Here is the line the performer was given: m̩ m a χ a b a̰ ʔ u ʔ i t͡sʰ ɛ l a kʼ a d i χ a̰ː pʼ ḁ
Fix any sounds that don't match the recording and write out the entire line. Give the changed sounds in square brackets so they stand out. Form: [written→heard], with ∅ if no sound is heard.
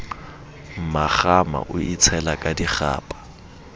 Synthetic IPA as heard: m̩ m a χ a [b→m] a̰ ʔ [u→ʊ] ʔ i t͡sʰ ɛ l a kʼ a d i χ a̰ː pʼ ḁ